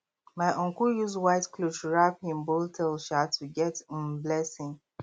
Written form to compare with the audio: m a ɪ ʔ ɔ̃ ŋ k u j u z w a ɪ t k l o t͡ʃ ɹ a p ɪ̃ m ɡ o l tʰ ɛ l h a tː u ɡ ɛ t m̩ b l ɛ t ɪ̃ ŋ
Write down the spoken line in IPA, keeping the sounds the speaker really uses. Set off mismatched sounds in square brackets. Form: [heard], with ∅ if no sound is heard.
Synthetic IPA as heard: m a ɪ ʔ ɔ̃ ŋ k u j u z w a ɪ t k l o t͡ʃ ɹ a p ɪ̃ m [b] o l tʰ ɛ l [ʃ] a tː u ɡ ɛ t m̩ b l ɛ [s] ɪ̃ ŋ